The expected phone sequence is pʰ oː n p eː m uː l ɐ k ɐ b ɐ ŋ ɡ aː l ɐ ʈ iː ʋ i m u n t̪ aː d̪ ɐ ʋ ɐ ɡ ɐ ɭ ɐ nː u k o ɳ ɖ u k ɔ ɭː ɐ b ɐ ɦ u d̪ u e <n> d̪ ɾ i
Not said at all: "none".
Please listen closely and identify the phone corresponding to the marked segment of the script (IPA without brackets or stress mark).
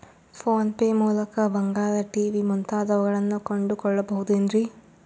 n